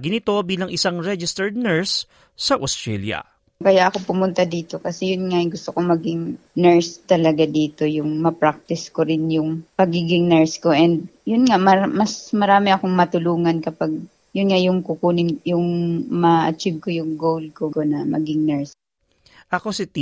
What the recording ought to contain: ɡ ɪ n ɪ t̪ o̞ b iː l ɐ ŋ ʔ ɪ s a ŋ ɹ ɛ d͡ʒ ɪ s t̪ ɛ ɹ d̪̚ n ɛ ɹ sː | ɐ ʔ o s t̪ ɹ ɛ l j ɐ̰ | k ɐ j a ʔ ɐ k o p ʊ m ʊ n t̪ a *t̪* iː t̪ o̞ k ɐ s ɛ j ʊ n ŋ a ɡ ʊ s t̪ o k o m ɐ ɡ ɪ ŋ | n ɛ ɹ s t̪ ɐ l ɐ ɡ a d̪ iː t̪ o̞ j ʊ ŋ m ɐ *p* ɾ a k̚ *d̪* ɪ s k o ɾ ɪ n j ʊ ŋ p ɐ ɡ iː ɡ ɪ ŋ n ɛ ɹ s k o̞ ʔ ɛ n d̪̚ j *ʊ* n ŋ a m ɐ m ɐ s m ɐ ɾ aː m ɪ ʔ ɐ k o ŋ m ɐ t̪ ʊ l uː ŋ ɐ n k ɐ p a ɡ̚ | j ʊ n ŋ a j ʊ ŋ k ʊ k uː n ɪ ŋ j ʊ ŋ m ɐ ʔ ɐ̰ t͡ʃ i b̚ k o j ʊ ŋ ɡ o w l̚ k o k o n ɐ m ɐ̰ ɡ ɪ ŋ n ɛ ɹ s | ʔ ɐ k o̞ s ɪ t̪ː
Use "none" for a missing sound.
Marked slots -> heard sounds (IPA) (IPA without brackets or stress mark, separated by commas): d̪, p, t̪, ʊ